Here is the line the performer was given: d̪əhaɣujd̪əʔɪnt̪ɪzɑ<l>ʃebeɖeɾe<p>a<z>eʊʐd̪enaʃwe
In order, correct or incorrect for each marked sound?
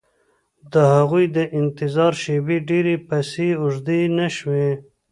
incorrect: ɾ, correct, incorrect: s

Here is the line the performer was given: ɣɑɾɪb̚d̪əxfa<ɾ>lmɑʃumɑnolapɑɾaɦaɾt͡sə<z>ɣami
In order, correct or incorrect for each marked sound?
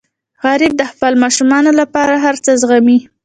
incorrect: none, correct

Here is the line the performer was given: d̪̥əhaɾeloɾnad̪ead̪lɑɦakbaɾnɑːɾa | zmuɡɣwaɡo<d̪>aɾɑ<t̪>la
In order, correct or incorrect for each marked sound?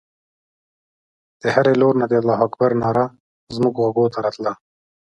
incorrect: t̪, correct

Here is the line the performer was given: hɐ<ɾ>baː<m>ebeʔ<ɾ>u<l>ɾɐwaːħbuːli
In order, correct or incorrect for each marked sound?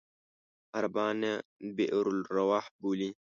correct, incorrect: n, correct, correct

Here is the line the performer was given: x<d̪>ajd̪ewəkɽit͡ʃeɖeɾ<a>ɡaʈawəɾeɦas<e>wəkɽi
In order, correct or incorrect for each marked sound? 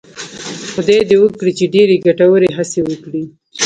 correct, incorrect: e, correct

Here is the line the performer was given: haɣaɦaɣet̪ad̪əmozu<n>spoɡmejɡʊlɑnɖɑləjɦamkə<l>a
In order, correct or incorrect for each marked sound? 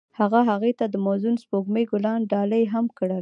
correct, incorrect: ɽ

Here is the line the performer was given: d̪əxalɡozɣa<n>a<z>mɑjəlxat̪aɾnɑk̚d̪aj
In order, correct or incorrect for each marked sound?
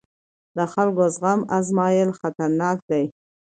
incorrect: m, correct

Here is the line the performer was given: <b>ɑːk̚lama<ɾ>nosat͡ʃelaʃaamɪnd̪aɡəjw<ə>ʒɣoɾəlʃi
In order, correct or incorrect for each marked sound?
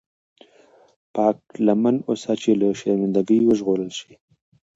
incorrect: p, incorrect: none, correct

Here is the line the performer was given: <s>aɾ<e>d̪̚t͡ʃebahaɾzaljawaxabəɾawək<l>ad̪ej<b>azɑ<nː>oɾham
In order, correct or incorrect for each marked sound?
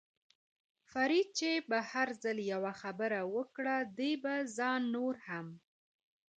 incorrect: f, incorrect: i, incorrect: ɽ, correct, correct

